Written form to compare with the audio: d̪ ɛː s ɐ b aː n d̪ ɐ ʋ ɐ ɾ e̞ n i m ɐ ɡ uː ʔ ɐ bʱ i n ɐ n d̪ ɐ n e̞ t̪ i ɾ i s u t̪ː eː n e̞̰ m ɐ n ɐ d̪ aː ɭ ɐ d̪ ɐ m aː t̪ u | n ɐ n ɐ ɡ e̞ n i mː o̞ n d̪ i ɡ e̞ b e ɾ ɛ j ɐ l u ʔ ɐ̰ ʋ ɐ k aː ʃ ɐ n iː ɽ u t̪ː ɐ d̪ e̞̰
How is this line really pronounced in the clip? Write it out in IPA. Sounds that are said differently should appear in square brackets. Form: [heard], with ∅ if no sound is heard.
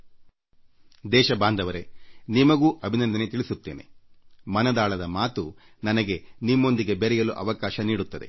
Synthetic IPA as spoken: d̪ ɛː [ʃ] ɐ b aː n d̪ ɐ ʋ ɐ ɾ e̞ n i m ɐ ɡ uː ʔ ɐ bʱ i n ɐ n d̪ ɐ n e̞ t̪ i [ɭ] i s u t̪ː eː n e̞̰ m ɐ n ɐ d̪ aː ɭ ɐ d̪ ɐ m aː t̪ u | n ɐ n ɐ ɡ e̞ n i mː o̞ n d̪ i ɡ e̞ b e ɾ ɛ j ɐ l u ʔ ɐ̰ ʋ ɐ k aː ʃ ɐ n iː ɽ u t̪ː ɐ d̪ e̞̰